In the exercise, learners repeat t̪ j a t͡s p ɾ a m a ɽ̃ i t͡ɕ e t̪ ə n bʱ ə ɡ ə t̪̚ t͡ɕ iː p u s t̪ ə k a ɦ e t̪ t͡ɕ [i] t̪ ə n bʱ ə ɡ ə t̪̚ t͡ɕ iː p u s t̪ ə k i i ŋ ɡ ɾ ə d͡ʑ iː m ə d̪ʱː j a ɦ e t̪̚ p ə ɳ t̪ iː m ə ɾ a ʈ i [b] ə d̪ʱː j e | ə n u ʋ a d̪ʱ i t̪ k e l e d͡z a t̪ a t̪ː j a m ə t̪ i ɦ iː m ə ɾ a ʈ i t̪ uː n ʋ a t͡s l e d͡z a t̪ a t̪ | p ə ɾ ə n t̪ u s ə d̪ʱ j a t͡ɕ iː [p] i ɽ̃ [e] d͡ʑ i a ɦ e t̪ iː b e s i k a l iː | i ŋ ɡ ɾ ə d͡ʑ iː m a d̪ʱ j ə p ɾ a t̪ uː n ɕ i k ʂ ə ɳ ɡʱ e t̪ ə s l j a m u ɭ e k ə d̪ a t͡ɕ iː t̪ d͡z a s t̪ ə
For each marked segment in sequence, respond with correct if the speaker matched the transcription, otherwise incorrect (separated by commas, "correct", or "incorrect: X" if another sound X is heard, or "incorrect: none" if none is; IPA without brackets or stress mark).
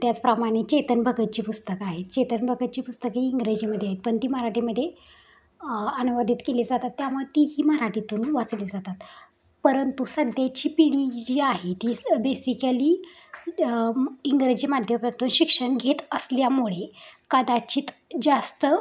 incorrect: e, incorrect: m, correct, incorrect: i